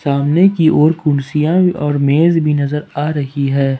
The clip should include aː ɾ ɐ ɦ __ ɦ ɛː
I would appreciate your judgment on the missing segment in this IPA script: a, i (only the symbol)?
i